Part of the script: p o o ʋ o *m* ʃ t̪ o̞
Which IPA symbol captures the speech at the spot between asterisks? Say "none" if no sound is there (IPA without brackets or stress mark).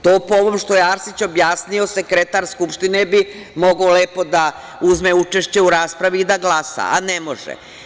m